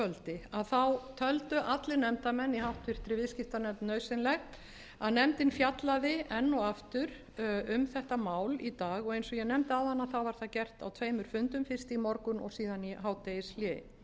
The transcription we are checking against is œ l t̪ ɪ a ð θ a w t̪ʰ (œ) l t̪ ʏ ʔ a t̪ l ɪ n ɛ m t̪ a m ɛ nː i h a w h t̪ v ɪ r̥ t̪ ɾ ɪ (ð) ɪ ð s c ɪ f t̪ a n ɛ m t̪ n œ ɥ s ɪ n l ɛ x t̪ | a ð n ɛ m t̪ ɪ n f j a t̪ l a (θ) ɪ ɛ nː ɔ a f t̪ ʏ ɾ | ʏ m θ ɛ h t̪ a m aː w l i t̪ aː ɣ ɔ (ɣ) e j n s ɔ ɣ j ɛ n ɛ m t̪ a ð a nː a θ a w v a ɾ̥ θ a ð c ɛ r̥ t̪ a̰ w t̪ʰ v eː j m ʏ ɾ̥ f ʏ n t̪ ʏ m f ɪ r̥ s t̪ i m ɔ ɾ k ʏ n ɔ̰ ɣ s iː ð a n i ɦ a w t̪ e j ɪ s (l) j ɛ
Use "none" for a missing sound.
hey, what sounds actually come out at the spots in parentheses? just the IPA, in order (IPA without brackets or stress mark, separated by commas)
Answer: œ, v, ð, ɣ, l